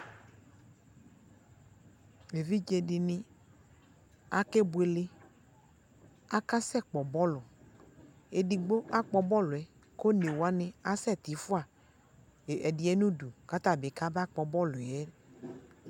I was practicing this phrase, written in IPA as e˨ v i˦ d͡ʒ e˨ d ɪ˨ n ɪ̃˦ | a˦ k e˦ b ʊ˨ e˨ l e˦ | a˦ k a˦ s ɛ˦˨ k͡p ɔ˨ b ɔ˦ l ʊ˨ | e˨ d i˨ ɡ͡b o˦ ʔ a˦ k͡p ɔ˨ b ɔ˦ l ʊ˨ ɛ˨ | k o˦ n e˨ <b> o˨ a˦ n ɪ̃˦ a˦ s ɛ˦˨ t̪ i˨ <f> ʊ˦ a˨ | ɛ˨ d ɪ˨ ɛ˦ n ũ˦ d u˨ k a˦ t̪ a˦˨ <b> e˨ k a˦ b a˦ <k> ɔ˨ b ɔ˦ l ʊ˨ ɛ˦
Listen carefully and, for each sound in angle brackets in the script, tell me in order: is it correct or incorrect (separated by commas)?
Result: incorrect, correct, correct, incorrect